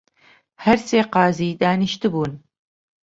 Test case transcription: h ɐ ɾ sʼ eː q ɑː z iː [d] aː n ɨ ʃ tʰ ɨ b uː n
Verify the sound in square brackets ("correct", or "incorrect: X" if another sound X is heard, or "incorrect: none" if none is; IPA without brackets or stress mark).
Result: correct